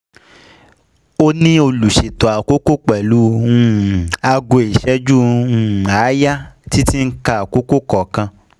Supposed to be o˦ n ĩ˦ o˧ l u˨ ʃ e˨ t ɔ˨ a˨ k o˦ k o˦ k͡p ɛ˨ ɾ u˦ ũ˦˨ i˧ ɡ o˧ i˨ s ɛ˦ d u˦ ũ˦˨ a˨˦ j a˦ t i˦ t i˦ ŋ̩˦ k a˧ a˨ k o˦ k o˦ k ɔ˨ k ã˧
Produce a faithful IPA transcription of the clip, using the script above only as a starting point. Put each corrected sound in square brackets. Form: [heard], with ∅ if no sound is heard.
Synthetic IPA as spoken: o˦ n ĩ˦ o˧ l u˨ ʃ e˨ t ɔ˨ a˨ k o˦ k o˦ k͡p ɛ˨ [l] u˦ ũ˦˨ [a˧] ɡ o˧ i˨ [ʃ] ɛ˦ [d͡ʒ] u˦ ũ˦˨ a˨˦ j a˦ t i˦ t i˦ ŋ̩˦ k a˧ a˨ k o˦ k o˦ k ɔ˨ k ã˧